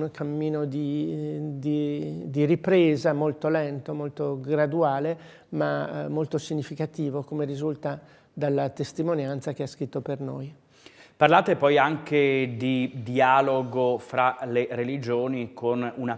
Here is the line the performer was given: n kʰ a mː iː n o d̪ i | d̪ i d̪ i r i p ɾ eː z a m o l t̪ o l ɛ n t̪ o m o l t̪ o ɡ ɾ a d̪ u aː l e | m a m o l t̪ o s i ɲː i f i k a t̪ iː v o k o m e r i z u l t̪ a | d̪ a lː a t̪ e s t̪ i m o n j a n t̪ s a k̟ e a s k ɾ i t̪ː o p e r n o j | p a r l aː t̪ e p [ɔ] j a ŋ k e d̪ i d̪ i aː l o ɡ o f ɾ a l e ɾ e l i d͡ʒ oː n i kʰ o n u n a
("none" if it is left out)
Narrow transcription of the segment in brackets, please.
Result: ɔ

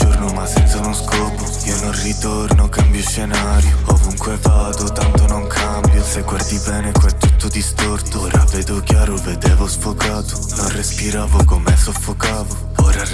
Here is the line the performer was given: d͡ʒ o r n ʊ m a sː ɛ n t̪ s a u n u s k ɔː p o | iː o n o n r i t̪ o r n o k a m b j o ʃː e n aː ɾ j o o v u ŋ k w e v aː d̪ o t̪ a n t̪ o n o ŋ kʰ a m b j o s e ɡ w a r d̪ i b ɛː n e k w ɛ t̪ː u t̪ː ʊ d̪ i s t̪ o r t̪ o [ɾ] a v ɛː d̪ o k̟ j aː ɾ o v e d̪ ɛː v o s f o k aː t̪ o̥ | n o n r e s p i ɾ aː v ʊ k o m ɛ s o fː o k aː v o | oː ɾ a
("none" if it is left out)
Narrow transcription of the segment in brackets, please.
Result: ɾ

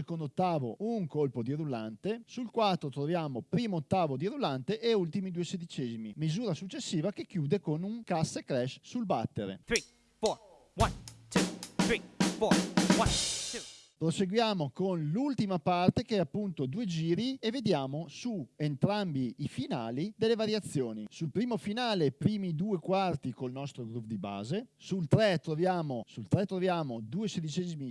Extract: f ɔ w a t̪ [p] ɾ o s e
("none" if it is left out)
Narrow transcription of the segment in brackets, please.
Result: p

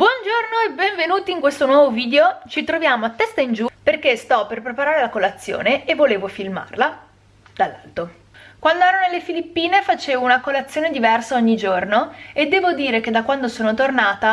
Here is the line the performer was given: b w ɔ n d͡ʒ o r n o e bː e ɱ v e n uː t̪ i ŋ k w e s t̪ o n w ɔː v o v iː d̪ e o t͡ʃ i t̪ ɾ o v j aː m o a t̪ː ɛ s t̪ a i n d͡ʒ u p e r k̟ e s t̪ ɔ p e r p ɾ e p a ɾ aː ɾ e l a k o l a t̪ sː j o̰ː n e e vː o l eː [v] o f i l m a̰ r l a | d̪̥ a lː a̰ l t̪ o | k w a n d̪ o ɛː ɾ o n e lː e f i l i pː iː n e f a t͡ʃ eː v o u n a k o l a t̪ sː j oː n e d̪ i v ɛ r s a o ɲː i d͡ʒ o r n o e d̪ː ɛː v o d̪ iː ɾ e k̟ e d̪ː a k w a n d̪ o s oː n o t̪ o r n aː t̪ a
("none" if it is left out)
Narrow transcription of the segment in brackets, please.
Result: v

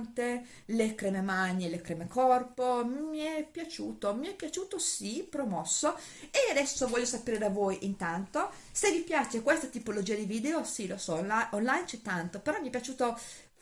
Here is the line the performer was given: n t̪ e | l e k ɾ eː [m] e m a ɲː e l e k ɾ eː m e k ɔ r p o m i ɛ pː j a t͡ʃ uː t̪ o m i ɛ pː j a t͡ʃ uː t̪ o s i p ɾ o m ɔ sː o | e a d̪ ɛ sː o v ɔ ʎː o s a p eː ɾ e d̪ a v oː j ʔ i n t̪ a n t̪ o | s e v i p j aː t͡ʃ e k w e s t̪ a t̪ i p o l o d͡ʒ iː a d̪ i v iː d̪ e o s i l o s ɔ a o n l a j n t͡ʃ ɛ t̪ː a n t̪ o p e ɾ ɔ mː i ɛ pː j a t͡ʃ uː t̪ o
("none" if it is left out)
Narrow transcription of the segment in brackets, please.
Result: m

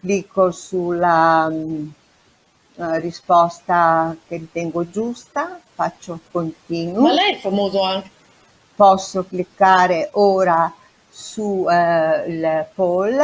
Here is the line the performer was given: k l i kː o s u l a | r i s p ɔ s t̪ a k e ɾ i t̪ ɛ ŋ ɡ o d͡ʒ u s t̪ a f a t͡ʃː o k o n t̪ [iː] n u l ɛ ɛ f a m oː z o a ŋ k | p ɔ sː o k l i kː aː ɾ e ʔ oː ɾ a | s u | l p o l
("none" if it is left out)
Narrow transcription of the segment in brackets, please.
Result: iː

